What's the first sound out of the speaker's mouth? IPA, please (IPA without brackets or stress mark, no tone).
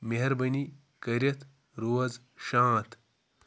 m